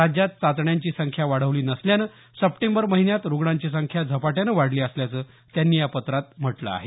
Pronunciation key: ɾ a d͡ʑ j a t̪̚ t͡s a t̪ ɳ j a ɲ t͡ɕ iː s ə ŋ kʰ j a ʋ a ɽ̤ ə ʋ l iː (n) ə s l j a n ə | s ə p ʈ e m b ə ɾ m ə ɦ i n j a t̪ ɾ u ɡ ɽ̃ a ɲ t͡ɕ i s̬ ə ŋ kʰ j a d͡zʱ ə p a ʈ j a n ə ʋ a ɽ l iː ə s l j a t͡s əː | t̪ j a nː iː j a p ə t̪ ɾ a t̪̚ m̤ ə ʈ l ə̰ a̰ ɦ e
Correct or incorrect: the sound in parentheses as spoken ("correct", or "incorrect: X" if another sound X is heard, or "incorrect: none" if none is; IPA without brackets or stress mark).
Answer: correct